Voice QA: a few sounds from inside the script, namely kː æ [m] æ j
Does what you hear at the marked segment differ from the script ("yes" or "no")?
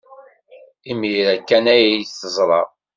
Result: yes